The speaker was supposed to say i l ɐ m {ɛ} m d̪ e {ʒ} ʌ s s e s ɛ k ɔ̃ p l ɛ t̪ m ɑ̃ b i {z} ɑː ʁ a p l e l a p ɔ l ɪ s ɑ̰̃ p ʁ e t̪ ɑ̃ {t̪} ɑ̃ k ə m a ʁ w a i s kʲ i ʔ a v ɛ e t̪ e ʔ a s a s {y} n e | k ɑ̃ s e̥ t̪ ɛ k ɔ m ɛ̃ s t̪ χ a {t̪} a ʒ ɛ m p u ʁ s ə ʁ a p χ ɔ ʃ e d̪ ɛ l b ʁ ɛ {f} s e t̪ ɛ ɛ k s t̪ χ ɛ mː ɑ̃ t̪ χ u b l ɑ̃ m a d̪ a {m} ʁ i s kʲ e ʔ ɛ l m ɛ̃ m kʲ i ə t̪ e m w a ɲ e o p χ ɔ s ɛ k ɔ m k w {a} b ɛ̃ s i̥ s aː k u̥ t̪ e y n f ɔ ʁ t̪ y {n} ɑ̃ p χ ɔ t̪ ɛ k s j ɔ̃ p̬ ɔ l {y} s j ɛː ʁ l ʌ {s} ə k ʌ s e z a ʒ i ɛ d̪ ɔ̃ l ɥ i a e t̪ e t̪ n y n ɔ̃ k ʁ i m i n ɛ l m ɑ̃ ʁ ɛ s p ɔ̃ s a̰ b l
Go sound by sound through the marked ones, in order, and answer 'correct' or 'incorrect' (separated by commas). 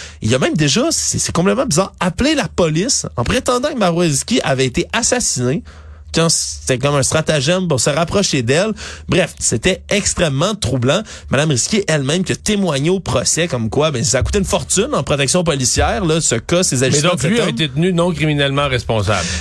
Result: incorrect, correct, correct, incorrect, incorrect, correct, correct, correct, correct, correct, incorrect, correct